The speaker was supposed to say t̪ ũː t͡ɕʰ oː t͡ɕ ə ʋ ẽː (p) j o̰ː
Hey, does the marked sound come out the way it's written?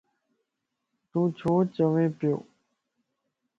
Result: yes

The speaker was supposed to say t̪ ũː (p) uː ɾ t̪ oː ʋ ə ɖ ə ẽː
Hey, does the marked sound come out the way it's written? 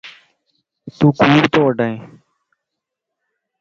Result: no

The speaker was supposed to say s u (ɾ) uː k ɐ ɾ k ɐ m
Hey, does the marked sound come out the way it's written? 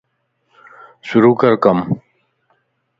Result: yes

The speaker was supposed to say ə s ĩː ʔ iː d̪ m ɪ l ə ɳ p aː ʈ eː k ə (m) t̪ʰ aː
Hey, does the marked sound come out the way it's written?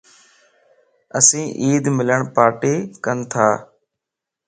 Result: no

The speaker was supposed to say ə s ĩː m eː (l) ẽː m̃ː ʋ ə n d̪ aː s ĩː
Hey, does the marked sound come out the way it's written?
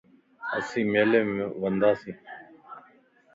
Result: yes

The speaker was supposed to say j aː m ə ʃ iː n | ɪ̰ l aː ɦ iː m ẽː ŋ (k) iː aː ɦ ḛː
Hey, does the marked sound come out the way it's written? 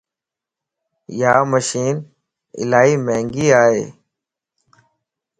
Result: no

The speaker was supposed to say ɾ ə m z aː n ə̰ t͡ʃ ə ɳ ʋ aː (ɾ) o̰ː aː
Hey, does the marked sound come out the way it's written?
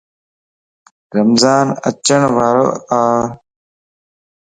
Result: yes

